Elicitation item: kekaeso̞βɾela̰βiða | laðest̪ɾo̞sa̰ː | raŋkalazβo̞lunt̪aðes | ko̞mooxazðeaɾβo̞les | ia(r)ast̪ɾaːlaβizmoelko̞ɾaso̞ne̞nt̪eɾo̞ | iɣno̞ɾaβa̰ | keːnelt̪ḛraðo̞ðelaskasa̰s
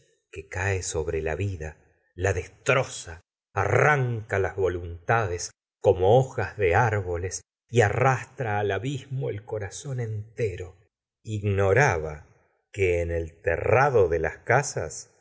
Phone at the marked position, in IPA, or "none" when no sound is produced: r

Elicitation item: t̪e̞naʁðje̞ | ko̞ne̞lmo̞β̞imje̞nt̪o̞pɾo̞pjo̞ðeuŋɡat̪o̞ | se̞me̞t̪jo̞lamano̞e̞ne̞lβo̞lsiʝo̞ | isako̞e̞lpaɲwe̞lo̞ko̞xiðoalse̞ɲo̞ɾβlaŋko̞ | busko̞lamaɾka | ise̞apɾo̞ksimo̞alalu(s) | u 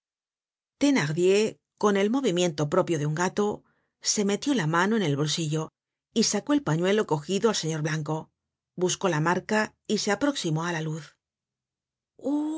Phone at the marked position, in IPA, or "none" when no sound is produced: θ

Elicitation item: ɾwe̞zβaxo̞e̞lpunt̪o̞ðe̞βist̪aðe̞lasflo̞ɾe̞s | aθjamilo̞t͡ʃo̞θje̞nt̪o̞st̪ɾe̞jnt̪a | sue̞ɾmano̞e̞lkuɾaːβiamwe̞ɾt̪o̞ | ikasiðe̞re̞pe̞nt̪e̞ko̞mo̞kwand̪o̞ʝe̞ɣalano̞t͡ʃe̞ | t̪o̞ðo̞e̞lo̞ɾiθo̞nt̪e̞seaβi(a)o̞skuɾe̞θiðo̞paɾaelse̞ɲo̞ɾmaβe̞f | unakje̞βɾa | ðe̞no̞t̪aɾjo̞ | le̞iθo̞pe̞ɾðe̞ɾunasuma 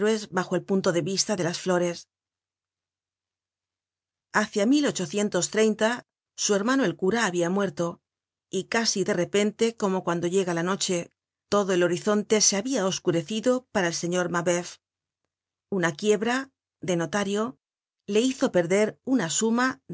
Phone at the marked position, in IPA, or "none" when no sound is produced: a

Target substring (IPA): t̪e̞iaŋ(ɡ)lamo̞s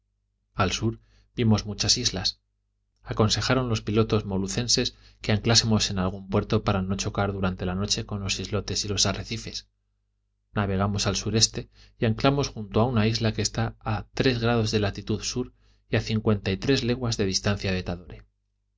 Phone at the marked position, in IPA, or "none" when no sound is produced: k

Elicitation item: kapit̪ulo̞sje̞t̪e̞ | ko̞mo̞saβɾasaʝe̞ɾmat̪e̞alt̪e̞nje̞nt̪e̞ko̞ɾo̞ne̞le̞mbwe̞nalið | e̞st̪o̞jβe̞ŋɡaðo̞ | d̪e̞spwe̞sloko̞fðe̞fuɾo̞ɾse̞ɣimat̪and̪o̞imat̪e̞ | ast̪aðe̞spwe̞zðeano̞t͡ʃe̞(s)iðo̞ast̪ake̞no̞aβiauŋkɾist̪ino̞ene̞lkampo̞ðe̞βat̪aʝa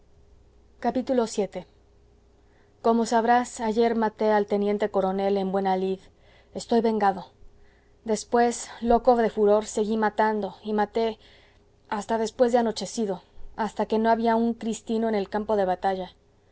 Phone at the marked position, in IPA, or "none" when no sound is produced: s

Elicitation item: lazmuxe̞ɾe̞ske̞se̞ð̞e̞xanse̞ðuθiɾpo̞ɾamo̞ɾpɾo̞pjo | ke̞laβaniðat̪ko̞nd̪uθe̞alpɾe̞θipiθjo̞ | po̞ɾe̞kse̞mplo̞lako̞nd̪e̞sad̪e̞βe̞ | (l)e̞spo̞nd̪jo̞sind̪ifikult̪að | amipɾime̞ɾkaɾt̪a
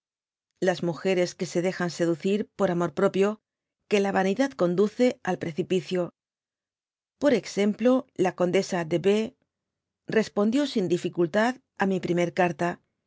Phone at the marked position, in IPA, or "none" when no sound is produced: r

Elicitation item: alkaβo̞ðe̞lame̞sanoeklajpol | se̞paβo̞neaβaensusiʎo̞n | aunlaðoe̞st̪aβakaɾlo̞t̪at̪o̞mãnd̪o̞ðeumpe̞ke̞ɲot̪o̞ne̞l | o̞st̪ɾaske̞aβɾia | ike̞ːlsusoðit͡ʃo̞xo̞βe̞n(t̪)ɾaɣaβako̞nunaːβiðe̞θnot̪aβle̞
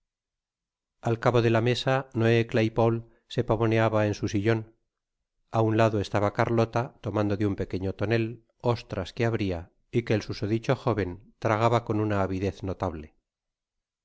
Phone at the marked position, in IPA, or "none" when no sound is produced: t̪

